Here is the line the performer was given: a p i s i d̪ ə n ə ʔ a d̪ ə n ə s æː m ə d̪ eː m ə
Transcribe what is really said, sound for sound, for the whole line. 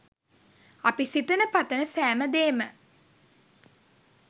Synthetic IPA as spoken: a p i s i t̪ ə n ə p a t̪ ə n ə s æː m ə d̪ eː m ə